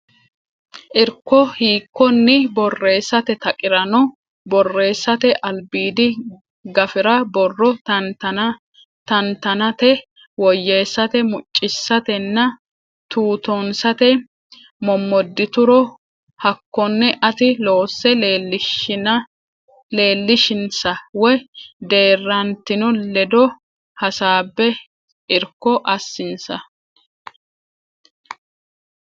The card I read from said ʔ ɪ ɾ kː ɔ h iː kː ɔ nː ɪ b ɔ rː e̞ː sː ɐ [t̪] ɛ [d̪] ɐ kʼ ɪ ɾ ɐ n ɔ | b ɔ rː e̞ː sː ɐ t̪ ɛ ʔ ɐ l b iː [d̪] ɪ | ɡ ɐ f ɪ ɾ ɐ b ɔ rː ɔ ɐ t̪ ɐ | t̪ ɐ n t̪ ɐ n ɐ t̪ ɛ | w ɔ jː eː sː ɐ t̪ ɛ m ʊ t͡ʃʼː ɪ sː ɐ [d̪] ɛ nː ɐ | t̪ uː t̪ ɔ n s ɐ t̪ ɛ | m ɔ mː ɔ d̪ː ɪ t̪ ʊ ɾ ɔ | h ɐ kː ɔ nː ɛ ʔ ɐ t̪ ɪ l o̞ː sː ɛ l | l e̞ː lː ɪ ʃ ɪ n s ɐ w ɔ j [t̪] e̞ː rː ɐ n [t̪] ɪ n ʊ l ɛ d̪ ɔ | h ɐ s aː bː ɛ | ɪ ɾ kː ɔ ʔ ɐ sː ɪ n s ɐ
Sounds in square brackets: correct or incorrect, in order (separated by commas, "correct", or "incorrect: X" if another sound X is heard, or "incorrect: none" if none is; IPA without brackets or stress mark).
correct, incorrect: t̪, correct, incorrect: t̪, incorrect: d̪, correct